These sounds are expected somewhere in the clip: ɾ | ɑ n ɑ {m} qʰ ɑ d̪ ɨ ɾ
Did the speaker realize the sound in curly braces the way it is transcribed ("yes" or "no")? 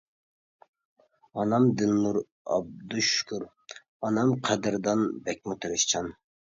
yes